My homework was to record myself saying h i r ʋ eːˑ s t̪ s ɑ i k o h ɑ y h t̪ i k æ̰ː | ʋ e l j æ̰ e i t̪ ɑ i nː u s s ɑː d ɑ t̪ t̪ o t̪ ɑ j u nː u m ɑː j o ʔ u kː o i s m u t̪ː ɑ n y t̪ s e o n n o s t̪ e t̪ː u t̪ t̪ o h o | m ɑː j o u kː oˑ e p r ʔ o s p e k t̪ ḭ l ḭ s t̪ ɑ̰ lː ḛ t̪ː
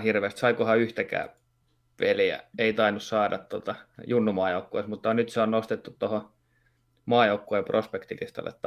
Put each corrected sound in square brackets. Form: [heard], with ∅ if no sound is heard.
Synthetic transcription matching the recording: h i r ʋ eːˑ s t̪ s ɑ i k o h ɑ y h t̪ [æ] k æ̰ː | ʋ e l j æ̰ e i t̪ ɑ i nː u s s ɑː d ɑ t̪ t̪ o t̪ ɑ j u nː u m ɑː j o [∅] u kː o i s m u t̪ː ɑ n y t̪ s e o n n o s t̪ e t̪ː u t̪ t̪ o h o | m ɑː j o u kː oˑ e p r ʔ o s p e k t̪ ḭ l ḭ s t̪ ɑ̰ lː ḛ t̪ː